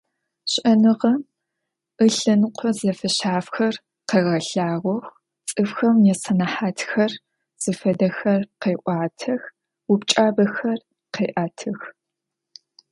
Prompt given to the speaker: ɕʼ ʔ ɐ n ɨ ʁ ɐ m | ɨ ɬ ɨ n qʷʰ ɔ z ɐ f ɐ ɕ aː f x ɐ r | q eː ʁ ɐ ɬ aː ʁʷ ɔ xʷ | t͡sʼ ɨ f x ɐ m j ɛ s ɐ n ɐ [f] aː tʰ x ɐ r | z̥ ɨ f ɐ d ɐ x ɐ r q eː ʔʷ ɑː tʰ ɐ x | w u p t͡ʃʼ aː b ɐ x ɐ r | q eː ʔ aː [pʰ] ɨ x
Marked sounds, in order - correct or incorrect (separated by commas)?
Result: incorrect, incorrect